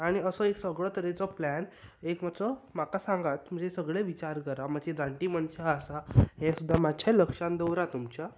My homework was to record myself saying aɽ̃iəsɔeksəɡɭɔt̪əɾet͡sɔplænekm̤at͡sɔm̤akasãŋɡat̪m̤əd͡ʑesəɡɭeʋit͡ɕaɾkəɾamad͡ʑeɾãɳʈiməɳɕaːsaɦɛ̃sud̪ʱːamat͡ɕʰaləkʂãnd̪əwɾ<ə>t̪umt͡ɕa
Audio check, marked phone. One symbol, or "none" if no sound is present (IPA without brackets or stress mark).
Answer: a